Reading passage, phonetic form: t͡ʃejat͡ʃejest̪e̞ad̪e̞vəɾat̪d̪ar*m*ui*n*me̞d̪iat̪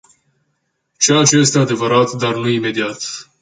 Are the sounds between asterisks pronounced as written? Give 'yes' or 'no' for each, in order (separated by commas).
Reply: no, no